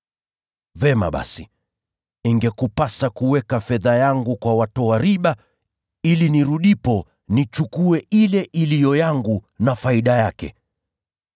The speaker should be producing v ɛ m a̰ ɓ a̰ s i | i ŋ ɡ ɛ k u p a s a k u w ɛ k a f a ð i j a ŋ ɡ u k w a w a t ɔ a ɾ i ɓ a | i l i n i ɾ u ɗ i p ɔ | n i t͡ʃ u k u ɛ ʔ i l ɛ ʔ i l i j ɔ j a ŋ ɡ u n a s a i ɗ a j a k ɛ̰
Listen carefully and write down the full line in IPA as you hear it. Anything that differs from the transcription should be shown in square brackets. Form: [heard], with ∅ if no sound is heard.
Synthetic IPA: v ɛ m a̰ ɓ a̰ s i | i ŋ ɡ ɛ k u p a s a k u w ɛ k a f [ɛ] ð [a] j a ŋ ɡ u k w a w a t ɔ a ɾ i ɓ a | i l i n i ɾ u ɗ i p ɔ | n i t͡ʃ u k u ɛ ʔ i l ɛ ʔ i l i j ɔ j a ŋ ɡ u n a [f] a i ɗ a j a k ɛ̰